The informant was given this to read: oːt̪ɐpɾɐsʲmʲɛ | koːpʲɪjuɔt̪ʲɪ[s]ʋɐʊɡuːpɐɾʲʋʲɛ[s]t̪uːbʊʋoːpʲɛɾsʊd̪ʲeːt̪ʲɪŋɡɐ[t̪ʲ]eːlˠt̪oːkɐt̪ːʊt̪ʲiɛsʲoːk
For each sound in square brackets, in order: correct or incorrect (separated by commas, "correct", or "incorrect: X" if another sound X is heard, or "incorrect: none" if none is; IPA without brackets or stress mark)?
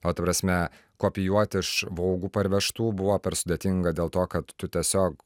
incorrect: ʃ, incorrect: ʃ, incorrect: d̪ʲ